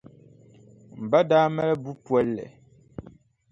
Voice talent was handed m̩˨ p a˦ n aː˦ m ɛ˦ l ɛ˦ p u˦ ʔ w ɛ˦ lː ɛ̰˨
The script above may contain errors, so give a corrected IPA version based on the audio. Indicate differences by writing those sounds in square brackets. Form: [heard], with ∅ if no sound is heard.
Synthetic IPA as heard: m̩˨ [b] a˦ [d] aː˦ m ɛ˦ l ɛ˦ [b] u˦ [p] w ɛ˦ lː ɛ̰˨